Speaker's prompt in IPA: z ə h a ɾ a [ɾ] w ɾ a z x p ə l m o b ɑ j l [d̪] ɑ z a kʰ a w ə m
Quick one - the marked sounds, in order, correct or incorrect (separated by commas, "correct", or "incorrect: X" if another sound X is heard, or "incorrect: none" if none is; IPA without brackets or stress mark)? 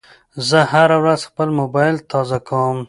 incorrect: none, incorrect: t̪